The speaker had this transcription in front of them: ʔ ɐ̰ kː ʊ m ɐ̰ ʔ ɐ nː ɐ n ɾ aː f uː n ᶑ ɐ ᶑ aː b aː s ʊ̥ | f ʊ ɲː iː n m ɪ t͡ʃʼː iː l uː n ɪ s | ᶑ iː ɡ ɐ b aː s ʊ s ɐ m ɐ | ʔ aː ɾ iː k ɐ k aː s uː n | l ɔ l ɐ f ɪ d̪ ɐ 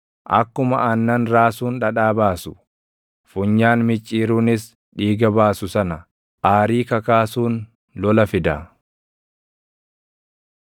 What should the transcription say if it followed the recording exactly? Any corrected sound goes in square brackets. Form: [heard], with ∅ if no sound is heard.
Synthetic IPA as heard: ʔ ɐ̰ kː ʊ m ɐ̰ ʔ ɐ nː ɐ n ɾ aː [s] uː n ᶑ ɐ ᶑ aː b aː s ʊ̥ | f ʊ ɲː [aː] n m ɪ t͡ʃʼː iː [ɾ] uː n ɪ s | ᶑ iː ɡ ɐ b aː s ʊ s ɐ [n] ɐ | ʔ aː ɾ iː k ɐ k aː s uː n | l ɔ l ɐ f ɪ d̪ ɐ